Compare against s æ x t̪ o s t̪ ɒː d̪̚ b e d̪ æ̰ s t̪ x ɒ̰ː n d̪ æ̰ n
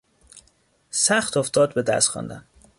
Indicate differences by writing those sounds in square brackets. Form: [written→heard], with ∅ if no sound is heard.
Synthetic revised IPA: s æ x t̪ o [s→f] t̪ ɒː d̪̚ b e d̪ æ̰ s t̪ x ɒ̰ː n d̪ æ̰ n